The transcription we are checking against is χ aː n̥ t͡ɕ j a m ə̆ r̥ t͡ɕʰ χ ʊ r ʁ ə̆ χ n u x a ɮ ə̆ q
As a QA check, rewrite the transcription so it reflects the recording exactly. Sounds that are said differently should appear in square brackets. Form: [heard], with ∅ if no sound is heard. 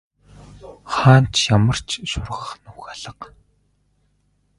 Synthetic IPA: χ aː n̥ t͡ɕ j a m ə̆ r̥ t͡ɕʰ [ʃ] ʊ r ʁ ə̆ χ n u x a ɮ ə̆ q

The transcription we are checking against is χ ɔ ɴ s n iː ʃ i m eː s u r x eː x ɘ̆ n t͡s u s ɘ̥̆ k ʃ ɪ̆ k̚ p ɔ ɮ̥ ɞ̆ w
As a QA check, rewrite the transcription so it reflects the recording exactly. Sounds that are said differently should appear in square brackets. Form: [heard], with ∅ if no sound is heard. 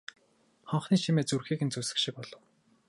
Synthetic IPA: χ ɔ ɴ [χ] n iː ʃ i m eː [t͡s] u r x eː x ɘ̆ n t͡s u s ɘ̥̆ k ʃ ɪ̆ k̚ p ɔ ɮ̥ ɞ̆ w

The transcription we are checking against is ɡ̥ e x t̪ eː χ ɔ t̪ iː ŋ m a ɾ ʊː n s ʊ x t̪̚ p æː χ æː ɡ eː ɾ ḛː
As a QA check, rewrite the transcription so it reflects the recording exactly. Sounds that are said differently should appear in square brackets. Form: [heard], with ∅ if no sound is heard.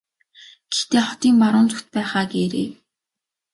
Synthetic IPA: ɡ̥ e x t̪ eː χ ɔ t̪ iː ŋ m a ɾ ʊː n [t͡s] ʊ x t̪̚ p æː χ [aː] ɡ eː ɾ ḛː

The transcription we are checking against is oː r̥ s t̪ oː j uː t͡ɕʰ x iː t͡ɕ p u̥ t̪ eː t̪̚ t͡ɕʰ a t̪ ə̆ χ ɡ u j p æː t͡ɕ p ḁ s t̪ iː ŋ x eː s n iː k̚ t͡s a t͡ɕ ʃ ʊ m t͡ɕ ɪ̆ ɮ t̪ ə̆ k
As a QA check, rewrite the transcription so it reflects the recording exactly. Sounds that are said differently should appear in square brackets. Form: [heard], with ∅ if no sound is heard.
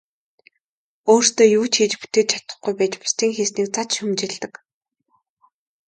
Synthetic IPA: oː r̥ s t̪ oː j uː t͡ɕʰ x iː t͡ɕ p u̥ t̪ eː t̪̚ t͡ɕʰ a t̪ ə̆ χ ɡ u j p æː t͡ɕ p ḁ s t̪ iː ŋ x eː s n iː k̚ t͡s a t͡ɕ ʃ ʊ m t͡ɕ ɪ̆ ɮ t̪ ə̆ k

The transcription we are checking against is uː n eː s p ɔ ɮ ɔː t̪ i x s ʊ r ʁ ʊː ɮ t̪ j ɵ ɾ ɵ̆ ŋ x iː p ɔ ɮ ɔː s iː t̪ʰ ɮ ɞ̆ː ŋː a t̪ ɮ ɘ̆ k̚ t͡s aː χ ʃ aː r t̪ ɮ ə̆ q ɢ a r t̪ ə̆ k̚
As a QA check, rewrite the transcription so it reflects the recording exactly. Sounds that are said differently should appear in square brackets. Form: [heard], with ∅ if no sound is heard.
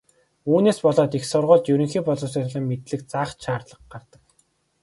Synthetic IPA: uː n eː s p ɔ ɮ ɔː t̪ i x s ʊ r ʁ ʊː ɮ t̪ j ɵ ɾ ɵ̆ ŋ x iː p ɔ ɮ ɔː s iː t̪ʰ ɮ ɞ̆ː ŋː [e] t̪ ɮ ɘ̆ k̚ t͡s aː χ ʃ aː r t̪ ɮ ə̆ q ɢ a r t̪ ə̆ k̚

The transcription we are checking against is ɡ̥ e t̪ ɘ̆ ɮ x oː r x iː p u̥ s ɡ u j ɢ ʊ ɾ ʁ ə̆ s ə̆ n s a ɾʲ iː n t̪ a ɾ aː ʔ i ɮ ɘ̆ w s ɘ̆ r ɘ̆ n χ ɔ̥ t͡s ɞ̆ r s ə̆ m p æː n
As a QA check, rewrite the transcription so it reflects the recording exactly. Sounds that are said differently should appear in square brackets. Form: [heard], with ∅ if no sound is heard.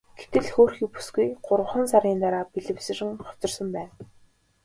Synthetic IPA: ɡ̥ e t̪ ɘ̆ ɮ x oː r x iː p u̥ s ɡ u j ɢ ʊ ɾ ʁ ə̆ [χ] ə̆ n s a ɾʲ iː n t̪ a ɾ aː [p] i ɮ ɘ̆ w s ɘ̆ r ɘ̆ [ŋ] χ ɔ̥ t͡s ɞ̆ r s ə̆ m p æː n

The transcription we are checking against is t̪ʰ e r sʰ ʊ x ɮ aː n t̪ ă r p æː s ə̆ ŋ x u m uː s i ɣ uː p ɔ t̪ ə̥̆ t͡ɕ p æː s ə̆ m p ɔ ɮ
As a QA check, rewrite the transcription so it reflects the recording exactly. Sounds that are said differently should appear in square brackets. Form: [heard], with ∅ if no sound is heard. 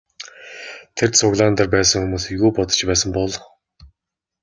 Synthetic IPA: t̪ʰ e r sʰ ʊ [ɣ] ɮ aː n t̪ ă r p æː s ə̆ ŋ x u m uː s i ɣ uː p ɔ t̪ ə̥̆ t͡ɕ p æː s ə̆ m p ɔ ɮ

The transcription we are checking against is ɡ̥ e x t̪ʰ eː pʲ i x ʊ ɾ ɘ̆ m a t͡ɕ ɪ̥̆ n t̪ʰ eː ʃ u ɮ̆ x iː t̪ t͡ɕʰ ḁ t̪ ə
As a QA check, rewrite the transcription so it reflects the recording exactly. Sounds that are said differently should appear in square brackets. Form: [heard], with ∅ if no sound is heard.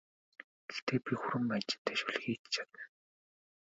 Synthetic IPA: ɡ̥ e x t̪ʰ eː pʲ i x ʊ ɾ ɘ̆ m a t͡ɕ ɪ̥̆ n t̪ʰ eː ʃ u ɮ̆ x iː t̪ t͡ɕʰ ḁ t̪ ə

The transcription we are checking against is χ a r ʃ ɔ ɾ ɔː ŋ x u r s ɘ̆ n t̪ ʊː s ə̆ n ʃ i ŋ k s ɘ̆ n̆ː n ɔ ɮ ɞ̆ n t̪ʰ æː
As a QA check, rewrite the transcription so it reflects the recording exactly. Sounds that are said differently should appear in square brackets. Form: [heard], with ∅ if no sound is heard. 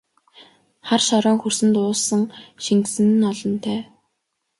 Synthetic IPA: χ a r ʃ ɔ ɾ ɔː ŋ x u r s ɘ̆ n t̪ ʊː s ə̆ [ŋ] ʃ i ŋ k s ɘ̆ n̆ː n ɔ ɮ ɞ̆ n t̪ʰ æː

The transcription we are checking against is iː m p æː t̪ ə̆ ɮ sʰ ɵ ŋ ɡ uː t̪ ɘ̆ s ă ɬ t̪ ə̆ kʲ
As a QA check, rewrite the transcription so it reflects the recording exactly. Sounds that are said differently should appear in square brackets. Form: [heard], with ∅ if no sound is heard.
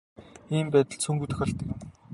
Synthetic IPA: iː m p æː t̪ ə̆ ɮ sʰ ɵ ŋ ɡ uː t̪ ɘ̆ [x] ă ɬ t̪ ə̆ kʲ

